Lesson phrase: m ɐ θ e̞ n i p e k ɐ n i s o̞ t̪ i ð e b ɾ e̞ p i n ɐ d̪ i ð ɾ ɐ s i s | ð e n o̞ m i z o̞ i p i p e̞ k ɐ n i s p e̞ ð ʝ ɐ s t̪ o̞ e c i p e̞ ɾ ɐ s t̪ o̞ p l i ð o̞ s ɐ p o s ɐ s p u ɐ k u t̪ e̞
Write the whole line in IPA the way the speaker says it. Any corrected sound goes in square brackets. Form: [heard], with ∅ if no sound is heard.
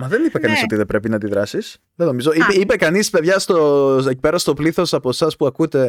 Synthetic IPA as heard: m ɐ [ð] e̞ n i p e k ɐ n i s o̞ t̪ i ð e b ɾ e̞ p i n ɐ d̪ i ð ɾ ɐ s i s | ð e n o̞ m i z o̞ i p i p e̞ k ɐ n i s p e̞ ð ʝ ɐ s t̪ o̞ e c i p e̞ ɾ ɐ s t̪ o̞ p l i [θ] o̞ s ɐ p o s ɐ s p u ɐ k u t̪ e̞